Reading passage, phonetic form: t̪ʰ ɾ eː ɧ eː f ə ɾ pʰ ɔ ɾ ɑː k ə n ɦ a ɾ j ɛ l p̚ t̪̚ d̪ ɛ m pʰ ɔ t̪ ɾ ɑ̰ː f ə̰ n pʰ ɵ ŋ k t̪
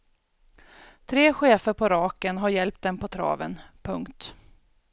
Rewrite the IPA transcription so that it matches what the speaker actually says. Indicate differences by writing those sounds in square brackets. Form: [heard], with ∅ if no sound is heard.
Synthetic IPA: t̪ʰ ɾ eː ɧ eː f ə ɾ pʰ ɔ ɾ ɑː k ə n ɦ a ɾ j ɛ l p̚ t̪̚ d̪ ɛ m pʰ ɔ [t̪ʰ] ɾ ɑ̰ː [v] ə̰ n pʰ ɵ ŋ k t̪